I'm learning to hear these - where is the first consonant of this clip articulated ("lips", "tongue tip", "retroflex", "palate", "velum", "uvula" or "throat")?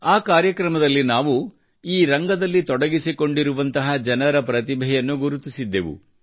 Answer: velum